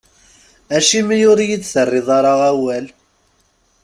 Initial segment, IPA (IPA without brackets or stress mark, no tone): æ